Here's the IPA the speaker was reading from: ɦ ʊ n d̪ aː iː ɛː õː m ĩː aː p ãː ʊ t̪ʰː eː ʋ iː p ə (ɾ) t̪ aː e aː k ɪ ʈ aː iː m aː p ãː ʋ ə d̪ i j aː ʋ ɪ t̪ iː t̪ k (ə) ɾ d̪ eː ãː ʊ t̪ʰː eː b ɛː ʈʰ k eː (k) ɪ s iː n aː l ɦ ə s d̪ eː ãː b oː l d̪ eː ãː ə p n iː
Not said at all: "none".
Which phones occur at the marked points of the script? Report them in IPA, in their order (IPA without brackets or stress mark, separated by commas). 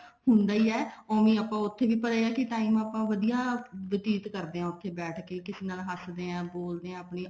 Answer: none, ə, k